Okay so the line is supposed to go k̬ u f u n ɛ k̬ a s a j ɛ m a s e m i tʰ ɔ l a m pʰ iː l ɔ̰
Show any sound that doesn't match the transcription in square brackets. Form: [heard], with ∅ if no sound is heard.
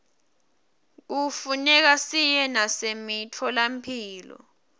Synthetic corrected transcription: k̬ u f u n ɛ k̬ a s [i] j ɛ [n] a s e m i tʰ ɔ l a m pʰ iː l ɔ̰